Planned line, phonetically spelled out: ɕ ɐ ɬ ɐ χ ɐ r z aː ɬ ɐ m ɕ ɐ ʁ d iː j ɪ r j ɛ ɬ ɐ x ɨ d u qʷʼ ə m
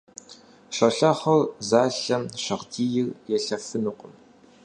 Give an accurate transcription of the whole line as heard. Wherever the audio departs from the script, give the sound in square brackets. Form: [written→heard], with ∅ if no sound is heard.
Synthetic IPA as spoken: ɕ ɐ ɬ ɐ χ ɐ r z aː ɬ ɐ m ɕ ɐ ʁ d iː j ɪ r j ɛ ɬ ɐ [x→f] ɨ [d→n] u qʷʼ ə m